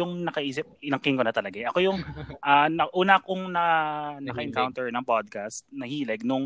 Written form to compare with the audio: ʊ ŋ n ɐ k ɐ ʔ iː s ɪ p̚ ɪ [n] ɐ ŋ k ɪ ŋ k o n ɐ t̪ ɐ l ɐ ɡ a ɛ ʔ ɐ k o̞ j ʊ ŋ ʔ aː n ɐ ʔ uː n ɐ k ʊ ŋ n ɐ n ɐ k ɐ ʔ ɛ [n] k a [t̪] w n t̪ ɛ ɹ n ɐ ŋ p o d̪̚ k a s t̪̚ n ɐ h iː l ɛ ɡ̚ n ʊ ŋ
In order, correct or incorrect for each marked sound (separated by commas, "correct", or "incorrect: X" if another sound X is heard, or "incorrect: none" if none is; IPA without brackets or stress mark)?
correct, incorrect: ŋ, incorrect: none